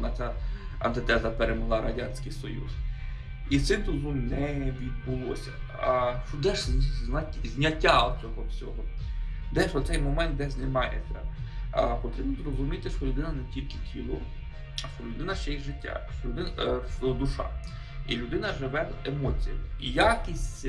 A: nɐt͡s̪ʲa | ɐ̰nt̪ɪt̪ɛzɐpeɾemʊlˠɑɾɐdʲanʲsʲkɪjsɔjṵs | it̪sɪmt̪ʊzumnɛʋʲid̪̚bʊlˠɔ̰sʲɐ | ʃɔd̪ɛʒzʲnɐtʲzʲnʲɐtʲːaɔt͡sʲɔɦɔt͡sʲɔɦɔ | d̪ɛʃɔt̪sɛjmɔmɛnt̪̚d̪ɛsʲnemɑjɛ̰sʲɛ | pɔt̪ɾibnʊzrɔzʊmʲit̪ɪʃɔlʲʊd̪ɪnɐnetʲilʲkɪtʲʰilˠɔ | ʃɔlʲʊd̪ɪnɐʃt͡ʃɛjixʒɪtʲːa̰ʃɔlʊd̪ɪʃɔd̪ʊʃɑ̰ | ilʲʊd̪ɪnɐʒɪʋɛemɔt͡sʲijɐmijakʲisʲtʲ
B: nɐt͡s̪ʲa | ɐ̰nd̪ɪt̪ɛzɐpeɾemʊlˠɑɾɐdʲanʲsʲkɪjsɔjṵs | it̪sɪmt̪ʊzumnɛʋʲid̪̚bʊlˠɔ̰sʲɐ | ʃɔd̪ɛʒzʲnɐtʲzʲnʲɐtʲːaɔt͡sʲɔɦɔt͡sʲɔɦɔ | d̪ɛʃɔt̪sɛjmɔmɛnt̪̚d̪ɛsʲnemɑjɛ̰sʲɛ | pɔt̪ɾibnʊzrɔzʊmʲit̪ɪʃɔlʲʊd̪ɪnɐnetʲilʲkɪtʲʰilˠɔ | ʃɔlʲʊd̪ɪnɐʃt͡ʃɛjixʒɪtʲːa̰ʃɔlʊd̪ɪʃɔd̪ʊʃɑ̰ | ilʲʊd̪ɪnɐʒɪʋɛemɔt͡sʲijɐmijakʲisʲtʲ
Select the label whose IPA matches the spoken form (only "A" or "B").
A